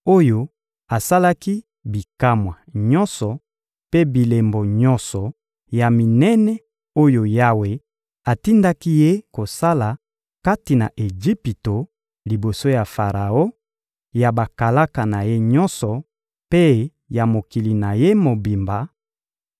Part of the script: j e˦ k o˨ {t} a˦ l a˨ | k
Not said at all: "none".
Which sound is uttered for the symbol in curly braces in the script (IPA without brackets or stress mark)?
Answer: s